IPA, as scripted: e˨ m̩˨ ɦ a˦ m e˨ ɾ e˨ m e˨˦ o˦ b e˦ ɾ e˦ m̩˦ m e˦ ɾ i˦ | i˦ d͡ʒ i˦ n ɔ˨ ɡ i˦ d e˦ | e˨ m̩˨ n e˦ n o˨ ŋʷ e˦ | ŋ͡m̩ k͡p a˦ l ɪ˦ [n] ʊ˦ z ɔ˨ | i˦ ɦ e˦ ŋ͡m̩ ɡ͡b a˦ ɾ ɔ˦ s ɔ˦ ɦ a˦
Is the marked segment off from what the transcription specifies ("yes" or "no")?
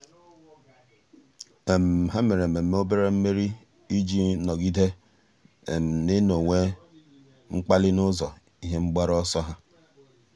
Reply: no